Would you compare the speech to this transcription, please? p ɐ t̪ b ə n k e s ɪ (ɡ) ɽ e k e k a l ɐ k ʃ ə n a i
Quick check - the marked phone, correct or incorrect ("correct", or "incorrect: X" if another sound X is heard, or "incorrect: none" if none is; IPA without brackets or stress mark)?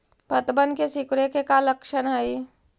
incorrect: k